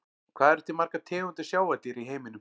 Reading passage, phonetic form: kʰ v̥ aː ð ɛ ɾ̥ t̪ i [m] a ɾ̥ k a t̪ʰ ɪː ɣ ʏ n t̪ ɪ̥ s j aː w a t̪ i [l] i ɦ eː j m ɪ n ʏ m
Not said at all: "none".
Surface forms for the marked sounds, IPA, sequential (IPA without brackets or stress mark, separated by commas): m, ɾ